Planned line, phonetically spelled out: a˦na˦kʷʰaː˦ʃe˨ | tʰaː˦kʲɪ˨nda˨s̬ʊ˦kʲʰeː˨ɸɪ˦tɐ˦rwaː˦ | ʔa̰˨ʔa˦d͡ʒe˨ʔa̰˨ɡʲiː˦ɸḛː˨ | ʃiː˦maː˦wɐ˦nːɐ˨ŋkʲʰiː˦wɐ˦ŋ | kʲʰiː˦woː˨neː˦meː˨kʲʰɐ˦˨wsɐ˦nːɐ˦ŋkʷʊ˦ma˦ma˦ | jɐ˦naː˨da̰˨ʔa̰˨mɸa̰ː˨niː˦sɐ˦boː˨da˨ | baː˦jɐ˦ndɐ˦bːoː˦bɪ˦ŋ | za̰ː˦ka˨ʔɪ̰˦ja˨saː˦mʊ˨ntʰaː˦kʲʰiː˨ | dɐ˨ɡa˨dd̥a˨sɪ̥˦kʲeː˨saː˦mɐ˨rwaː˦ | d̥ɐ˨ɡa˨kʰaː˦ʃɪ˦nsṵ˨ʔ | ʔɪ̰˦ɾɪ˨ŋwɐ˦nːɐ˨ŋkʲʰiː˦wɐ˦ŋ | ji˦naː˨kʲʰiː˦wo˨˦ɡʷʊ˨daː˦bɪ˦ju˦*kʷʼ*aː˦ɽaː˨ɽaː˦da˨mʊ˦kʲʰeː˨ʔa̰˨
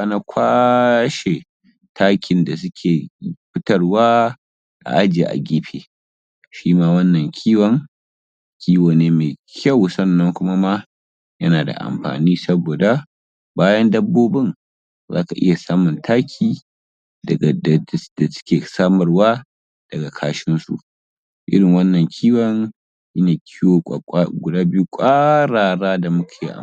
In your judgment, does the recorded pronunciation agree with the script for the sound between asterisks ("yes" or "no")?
yes